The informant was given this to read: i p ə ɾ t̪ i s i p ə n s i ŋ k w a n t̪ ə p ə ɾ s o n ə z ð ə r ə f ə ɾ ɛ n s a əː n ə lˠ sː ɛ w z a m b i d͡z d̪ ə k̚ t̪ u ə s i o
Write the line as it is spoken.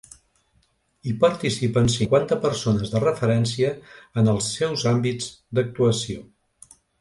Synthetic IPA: i p ə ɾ t̪ i s i p ə n s i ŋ k w a n t̪ ə p ə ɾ s o n ə z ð ə r ə f ə ɾ ɛ n s i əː n ə lˠ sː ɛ w z a m b i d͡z d̪ ə k̚ t̪ u ə s i o